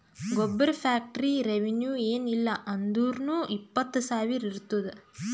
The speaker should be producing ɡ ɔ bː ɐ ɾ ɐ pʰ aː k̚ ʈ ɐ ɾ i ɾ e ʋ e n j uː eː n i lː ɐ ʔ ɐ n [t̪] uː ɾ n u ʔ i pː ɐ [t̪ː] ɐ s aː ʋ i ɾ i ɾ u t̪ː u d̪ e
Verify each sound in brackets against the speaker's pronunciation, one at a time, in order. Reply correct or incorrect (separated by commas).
incorrect, correct